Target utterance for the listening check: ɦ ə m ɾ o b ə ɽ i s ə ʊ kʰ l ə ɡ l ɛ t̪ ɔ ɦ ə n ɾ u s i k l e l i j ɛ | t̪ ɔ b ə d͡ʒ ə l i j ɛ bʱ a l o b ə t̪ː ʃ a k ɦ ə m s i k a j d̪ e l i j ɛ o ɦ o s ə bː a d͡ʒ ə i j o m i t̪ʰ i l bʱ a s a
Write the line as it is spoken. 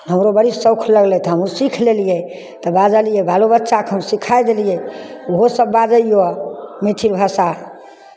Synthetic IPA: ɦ ə m ɾ o b ə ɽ i s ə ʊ kʰ l ə ɡ l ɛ t̪ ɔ ɦ ə m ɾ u s i kʰ l e l i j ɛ | t̪ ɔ b a d͡ʒ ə l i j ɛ bʱ a l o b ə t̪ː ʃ a k ɦ ə m s i kʰ a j d̪ e l i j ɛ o ɦ o s ə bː a d͡ʒ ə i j o m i t̪ʰ i l bʱ a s a